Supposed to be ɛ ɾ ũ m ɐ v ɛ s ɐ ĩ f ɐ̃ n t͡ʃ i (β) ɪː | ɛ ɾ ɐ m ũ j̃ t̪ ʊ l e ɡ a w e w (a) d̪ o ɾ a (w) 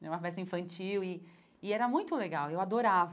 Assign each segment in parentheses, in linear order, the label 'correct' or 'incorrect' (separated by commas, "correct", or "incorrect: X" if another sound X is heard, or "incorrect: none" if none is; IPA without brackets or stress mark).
incorrect: w, correct, incorrect: v